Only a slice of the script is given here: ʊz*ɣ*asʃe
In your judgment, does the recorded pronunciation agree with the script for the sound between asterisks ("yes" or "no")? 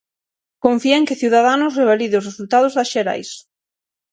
no